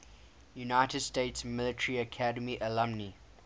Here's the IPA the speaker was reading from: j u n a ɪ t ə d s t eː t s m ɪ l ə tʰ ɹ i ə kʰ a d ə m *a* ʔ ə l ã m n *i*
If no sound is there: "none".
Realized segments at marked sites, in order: i, i

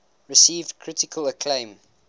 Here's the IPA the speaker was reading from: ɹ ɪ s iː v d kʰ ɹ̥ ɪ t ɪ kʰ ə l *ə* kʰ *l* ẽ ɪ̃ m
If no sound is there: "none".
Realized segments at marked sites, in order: ə, l

